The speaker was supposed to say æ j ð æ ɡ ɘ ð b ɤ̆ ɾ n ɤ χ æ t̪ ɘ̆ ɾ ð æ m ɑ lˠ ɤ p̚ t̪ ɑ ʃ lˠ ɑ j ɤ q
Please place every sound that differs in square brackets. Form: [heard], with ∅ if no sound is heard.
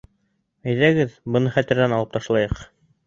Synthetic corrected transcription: æ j ð æ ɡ ɘ ð b ɤ̆ [∅] n ɤ χ æ t̪ ɘ̆ ɾ ð æ [n] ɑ lˠ ɤ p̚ t̪ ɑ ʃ lˠ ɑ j ɤ q